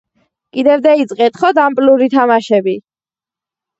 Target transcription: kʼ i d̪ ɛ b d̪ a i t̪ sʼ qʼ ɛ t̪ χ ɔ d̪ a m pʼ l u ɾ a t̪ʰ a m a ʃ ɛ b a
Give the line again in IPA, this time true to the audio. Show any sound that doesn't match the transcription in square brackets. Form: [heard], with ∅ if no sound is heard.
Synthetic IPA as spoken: kʼ i d̪ ɛ [v] d̪ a i t̪ sʼ qʼ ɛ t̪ χ ɔ d̪ a m pʼ l u ɾ [i] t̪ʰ a m a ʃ ɛ b [i]